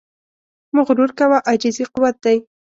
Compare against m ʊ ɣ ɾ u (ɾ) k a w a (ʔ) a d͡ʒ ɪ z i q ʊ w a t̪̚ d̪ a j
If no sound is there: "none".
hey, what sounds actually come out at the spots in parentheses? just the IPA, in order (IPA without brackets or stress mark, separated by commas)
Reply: ɾ, ʔ